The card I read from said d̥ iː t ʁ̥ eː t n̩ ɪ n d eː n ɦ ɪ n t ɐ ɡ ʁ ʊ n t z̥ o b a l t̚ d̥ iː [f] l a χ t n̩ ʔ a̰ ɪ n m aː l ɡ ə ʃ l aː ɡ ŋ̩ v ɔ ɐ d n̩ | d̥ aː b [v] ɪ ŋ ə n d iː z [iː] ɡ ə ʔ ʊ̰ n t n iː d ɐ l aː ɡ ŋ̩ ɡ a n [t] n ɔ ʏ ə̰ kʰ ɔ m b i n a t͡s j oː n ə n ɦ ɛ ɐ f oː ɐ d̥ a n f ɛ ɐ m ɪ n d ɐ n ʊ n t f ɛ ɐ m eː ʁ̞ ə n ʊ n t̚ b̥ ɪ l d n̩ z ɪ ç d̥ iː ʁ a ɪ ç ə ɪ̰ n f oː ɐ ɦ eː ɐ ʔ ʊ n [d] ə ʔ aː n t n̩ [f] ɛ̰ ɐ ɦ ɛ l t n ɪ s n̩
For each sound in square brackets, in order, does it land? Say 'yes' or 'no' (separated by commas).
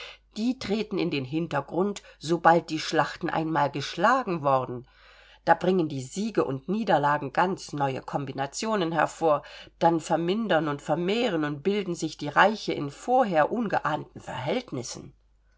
no, no, yes, no, no, yes